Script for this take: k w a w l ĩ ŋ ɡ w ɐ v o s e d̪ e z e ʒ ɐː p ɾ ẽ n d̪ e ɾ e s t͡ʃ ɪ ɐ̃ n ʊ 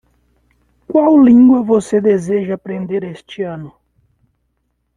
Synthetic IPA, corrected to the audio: k w a w l ĩ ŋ ɡ w ɐ v o s e d̪ e z e ʒ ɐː p ɾ ẽ n d̪ e ɾ e s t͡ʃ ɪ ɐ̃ n ʊ